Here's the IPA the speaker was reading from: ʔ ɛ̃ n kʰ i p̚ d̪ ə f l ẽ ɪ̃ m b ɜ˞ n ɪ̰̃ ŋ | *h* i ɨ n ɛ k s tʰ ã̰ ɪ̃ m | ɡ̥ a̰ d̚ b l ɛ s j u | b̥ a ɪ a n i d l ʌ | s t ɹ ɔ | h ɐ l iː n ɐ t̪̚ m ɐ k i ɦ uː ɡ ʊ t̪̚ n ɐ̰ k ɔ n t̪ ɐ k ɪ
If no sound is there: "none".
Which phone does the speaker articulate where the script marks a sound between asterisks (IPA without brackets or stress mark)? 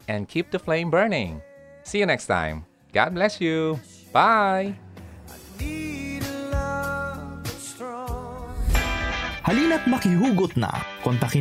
s